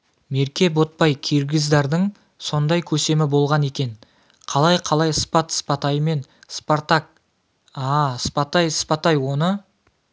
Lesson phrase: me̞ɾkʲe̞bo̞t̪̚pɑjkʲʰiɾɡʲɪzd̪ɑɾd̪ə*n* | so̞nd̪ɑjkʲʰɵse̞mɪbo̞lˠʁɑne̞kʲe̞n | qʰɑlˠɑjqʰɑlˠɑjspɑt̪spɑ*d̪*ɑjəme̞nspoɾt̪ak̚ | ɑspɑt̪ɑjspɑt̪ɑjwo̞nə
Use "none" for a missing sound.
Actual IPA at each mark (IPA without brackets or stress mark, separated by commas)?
ɴ, t̪